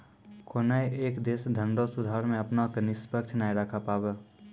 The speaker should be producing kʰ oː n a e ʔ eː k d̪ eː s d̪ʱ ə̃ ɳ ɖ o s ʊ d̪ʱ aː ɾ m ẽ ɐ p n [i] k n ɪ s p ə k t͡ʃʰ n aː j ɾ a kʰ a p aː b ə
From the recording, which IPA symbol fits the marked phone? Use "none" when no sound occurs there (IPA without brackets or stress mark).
a